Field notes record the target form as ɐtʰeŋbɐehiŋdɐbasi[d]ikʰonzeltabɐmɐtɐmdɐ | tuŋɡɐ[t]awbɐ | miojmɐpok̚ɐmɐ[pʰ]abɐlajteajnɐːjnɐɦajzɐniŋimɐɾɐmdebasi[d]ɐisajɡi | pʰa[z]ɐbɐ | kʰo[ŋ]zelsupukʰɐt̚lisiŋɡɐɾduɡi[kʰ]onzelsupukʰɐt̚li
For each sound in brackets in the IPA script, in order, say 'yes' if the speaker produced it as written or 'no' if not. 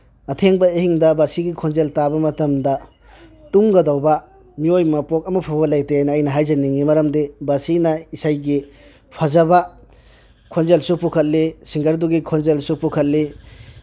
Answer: no, no, yes, no, yes, no, yes

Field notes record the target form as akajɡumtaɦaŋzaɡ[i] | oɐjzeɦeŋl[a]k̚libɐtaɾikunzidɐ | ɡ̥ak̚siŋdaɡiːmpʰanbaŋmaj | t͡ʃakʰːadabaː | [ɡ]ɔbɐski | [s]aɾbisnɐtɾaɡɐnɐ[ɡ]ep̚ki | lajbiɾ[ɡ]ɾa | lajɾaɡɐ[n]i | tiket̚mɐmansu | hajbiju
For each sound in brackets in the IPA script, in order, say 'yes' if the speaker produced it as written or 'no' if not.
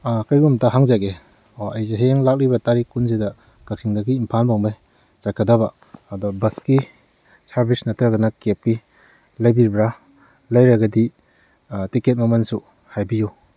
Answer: no, yes, no, yes, no, no, no

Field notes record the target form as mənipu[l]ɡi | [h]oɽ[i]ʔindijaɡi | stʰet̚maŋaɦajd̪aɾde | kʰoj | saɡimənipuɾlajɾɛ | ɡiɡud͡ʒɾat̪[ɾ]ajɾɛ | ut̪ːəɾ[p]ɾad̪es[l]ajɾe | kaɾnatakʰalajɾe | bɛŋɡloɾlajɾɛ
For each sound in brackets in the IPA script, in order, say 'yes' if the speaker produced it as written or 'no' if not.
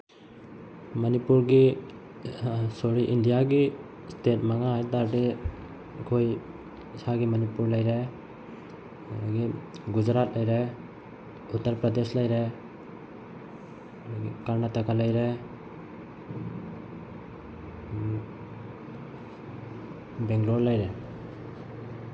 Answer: no, no, yes, no, yes, yes

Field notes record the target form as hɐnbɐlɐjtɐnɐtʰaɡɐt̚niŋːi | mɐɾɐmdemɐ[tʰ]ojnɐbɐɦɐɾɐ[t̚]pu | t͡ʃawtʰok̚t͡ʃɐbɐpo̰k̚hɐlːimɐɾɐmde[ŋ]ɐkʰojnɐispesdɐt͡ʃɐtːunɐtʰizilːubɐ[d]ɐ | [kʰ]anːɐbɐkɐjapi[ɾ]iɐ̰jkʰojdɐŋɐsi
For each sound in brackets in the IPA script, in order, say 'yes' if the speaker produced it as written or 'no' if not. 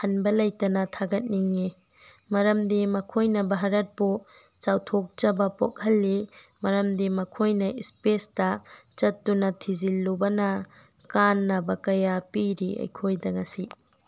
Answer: no, yes, no, no, no, yes

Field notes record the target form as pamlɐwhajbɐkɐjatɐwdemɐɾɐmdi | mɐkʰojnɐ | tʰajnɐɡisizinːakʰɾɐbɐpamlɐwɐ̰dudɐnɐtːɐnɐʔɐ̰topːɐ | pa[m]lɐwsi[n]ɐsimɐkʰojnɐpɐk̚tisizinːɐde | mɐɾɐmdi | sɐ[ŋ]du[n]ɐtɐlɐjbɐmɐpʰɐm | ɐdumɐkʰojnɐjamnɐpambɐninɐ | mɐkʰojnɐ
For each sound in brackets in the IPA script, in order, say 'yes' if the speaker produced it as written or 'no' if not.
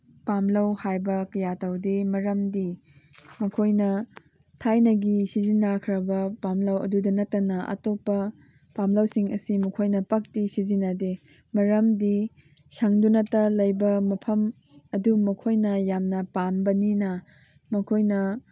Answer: yes, no, yes, yes

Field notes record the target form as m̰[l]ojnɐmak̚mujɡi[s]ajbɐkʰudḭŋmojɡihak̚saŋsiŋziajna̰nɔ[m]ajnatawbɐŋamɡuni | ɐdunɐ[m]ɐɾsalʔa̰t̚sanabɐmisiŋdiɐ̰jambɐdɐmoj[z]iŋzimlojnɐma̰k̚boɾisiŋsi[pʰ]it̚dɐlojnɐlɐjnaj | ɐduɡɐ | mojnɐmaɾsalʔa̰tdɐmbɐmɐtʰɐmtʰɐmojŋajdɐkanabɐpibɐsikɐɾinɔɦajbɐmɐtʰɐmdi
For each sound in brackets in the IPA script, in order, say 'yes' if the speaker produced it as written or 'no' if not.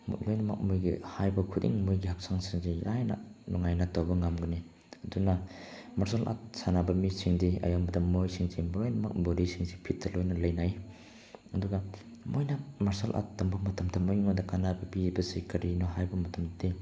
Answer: yes, no, no, yes, no, yes

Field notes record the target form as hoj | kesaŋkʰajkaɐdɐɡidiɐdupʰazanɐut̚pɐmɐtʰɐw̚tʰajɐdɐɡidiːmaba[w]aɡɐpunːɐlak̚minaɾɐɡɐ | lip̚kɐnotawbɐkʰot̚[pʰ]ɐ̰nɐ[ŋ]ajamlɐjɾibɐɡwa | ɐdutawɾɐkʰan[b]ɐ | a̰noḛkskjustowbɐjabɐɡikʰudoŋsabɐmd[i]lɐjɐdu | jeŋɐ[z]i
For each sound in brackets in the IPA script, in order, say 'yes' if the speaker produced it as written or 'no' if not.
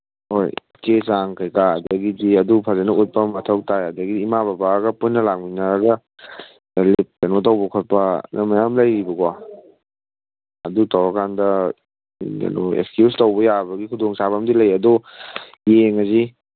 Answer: no, no, no, no, yes, yes

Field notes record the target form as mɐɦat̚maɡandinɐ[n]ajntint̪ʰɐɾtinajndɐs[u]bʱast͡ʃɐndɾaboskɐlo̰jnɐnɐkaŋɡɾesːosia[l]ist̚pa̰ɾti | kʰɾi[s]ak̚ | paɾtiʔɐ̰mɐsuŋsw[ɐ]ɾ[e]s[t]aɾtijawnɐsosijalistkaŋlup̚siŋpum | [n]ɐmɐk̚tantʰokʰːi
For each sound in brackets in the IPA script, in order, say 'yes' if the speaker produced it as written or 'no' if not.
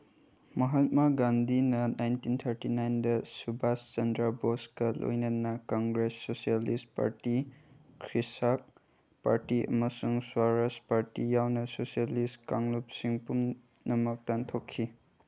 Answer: yes, yes, yes, yes, no, no, no, yes

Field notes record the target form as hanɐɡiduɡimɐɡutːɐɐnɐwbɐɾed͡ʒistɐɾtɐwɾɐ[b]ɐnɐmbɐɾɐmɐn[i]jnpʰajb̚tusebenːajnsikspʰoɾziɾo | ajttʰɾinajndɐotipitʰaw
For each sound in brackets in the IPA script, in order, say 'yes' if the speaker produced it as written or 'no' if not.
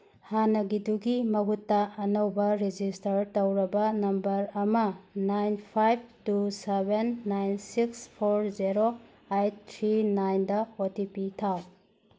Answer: yes, no

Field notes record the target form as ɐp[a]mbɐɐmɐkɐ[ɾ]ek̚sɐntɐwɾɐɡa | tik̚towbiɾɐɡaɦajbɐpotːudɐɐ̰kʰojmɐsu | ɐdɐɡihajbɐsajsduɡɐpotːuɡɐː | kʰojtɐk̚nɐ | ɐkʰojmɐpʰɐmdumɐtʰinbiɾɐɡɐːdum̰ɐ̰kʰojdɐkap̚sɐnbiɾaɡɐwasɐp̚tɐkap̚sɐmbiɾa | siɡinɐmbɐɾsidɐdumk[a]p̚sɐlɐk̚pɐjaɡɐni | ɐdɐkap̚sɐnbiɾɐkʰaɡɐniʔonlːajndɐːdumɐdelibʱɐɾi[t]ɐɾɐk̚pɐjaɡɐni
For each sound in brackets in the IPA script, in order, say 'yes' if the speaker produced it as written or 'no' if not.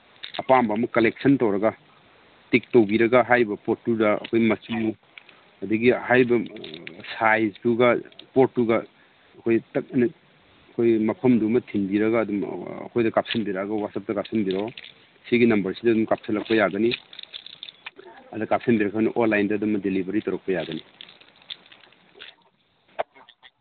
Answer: yes, no, yes, yes

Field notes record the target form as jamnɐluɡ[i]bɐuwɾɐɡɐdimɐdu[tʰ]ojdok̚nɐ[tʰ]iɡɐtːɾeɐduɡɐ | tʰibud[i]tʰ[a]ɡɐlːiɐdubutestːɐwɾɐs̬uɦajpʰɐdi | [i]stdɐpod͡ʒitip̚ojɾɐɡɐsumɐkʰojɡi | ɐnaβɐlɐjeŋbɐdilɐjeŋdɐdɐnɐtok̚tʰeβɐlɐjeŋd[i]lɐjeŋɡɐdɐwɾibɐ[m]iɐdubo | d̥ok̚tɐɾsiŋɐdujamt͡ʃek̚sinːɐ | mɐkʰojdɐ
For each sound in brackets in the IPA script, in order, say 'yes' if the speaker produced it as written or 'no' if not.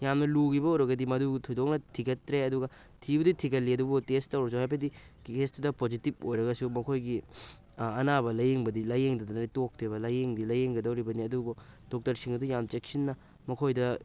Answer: yes, yes, yes, yes, no, no, yes, no

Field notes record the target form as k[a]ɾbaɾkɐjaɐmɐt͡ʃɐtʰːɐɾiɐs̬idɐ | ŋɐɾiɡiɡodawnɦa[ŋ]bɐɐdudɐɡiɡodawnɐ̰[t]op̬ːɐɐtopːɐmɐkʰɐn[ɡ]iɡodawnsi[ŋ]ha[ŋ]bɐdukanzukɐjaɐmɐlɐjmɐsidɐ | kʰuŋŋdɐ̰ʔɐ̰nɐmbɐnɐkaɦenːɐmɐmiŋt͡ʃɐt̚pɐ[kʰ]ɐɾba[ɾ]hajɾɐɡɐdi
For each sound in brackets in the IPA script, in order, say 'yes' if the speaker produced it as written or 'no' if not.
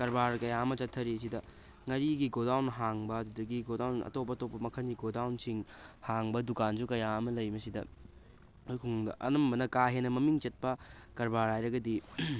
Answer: no, yes, yes, yes, yes, yes, no, yes

